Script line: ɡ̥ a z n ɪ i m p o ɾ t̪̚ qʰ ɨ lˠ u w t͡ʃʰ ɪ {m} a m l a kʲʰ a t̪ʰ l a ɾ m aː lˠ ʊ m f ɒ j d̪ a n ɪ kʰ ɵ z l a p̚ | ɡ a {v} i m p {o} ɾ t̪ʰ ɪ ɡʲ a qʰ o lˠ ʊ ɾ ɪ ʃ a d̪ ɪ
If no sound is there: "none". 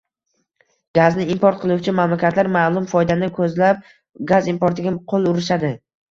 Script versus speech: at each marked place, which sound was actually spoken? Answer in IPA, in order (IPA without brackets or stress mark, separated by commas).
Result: m, z, o